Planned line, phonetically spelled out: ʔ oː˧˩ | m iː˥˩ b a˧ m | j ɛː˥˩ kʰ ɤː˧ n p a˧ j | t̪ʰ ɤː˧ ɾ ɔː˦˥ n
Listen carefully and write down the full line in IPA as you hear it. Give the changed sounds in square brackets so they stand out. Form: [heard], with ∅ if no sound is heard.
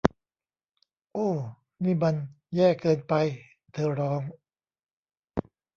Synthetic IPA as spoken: ʔ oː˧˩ | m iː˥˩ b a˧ [n] | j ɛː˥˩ [k] ɤː˧ n p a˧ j | t̪ʰ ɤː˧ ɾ ɔː˦˥ [ŋ]